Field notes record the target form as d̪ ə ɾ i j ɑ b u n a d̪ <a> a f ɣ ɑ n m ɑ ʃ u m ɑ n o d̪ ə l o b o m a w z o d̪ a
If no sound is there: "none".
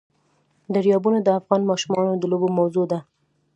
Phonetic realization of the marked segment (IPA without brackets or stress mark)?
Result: ə